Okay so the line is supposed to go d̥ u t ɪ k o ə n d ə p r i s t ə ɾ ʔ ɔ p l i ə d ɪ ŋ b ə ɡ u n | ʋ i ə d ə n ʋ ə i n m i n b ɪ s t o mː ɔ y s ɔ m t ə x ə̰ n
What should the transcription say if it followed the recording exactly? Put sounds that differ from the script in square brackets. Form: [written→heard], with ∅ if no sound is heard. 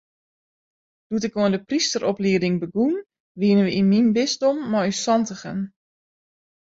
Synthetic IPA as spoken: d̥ u t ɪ k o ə n d ə p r i s t ə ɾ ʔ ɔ p l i ə d ɪ ŋ b ə ɡ u n | ʋ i ə [d→n] ə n ʋ ə i n m i n b ɪ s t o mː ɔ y s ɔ [m→n] t ə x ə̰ n

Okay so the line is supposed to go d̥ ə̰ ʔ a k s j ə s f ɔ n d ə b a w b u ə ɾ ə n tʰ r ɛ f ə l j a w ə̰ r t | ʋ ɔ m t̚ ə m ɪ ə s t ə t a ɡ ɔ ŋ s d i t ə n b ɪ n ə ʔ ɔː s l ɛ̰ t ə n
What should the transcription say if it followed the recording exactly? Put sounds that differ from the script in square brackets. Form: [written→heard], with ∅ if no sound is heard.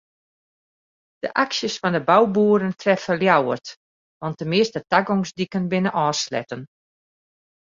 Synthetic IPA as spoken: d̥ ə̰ ʔ a k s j ə s f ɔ n d ə b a w b u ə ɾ ə n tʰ r ɛ f ə l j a w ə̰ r t | ʋ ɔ [m→n] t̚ ə m ɪ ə s t ə t a ɡ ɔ ŋ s d i [t→k] ə n b ɪ n ə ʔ ɔː s l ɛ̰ t ə n

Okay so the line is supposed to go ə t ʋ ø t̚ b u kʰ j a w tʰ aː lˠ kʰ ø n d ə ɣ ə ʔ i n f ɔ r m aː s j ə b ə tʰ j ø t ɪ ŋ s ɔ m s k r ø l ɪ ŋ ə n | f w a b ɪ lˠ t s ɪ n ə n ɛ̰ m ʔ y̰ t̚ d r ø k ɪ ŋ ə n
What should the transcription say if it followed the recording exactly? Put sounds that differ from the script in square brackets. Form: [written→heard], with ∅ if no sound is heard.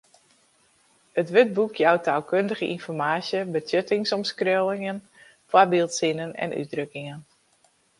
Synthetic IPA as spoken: ə t ʋ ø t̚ b u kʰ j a w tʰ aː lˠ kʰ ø n d ə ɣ ə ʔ i n f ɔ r m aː s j ə b ə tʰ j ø t ɪ ŋ s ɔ m s k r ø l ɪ ŋ ə n | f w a b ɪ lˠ t s ɪ n ə n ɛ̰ [m→n] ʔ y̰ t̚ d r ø k ɪ ŋ ə n

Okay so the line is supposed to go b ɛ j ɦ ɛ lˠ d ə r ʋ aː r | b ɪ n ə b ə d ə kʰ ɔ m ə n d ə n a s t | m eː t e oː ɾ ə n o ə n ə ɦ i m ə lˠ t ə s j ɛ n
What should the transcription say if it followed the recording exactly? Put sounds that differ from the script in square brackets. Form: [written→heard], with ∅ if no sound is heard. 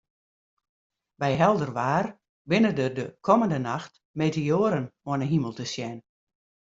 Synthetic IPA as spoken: b ɛ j ɦ ɛ lˠ d ə r ʋ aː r | b ɪ n ə [b→d] ə d ə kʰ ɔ m ə n d ə n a [s→x] t | m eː t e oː ɾ ə n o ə n ə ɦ i m ə lˠ t ə s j ɛ n

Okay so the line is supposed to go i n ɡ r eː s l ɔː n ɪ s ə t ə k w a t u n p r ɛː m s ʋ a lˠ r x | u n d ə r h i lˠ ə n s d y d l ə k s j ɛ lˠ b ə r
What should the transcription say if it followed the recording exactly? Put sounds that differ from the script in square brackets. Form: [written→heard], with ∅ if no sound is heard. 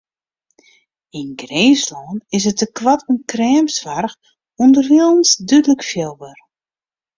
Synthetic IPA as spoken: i n ɡ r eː s l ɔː n ɪ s ə t ə k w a t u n [p→k] r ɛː m s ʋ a [lˠ→∅] r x | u n d ə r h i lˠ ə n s d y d l ə k [s→f] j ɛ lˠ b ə r

